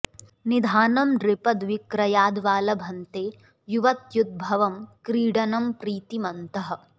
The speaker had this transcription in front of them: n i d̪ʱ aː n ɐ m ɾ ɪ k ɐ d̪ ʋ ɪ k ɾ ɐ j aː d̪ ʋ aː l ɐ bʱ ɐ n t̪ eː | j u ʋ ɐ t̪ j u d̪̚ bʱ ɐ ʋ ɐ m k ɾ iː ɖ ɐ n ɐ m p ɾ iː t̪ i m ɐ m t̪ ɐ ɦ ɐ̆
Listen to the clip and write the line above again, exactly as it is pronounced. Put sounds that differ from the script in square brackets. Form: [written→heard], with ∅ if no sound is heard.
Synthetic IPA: n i d̪ʱ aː n ɐ m ɾ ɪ [k→p] ɐ d̪ ʋ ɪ k ɾ ɐ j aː d̪ ʋ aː l ɐ bʱ ɐ n t̪ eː | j u ʋ ɐ t̪ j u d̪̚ bʱ ɐ ʋ ɐ m k ɾ iː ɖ ɐ n ɐ m p ɾ iː t̪ i m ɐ [m→n] t̪ ɐ ɦ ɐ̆